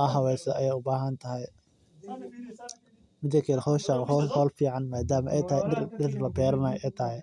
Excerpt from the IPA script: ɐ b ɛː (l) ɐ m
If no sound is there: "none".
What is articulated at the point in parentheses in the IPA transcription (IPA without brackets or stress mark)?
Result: ɾ